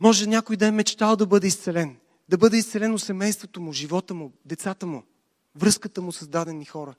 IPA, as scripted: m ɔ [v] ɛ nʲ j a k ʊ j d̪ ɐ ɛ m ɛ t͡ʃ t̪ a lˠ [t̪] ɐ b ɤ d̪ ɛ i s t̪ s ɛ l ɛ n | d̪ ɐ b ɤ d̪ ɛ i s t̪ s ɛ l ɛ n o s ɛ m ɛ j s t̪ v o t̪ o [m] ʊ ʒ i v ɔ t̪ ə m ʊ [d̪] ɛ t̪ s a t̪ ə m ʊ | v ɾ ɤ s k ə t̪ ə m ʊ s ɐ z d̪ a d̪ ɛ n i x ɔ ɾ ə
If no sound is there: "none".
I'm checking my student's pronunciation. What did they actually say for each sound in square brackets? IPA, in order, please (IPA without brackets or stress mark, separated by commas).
ʒ, d̪, m, d̪